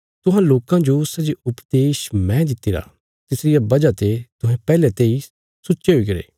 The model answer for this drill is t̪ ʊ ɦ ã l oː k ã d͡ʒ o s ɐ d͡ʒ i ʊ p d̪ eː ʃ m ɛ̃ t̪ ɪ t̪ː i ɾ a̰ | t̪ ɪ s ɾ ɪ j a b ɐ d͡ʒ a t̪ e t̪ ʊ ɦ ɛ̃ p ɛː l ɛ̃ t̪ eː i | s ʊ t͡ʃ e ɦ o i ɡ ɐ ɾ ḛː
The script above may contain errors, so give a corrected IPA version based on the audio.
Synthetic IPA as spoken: t̪ ʊ ɦ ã l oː k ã d͡ʒ o s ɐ d͡ʒ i ʊ p d̪ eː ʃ m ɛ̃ d̪ ɪ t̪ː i ɾ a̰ | t̪ ɪ s ɾ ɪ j a b ɐ d͡ʒ a t̪ e t̪ ʊ ɦ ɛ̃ p ɛː l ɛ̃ t̪ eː i | s ʊ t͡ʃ e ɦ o i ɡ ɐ ɾ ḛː